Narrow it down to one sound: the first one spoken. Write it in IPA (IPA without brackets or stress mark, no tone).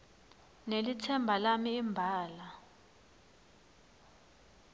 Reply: n